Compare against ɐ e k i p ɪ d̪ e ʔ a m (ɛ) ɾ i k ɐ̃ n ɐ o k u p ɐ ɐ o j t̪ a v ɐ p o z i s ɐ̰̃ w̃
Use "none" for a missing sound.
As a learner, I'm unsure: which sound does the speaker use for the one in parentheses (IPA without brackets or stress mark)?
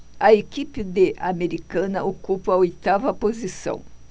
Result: e